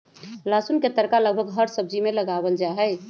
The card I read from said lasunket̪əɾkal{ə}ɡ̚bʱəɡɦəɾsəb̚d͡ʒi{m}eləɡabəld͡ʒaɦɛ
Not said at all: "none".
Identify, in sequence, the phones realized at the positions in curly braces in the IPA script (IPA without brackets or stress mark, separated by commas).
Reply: ə, m